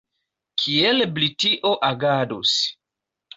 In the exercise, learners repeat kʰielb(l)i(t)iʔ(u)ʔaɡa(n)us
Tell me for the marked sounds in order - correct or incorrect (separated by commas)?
correct, correct, incorrect, incorrect